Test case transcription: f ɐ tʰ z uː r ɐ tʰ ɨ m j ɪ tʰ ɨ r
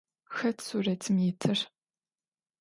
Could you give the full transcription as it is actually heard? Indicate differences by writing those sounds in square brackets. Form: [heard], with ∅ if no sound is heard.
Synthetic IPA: [x] ɐ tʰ [s] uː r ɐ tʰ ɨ m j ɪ tʰ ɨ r